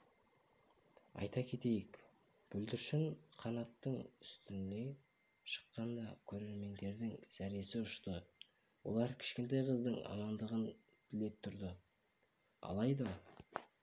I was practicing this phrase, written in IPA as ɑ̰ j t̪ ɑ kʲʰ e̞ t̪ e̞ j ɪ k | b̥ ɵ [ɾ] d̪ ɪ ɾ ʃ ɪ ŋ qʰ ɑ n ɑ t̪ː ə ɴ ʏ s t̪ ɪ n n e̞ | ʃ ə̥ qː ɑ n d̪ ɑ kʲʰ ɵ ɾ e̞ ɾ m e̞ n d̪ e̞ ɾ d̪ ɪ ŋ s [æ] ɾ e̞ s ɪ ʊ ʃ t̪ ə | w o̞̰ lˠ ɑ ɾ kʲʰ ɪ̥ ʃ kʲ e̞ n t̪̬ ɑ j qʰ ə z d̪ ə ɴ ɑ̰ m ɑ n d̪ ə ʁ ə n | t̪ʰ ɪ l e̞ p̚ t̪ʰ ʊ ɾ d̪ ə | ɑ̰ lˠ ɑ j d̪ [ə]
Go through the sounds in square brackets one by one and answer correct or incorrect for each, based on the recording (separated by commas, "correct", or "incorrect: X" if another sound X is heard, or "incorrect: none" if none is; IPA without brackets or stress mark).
incorrect: l, correct, incorrect: ɑ